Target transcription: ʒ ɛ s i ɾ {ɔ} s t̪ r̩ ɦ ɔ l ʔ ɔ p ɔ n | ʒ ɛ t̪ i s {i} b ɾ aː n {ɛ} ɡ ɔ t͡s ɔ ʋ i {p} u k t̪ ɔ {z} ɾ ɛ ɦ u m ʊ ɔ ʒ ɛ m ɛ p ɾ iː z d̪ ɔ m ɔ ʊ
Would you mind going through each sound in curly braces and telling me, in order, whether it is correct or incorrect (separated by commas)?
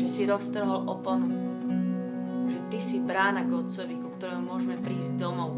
correct, correct, incorrect, incorrect, incorrect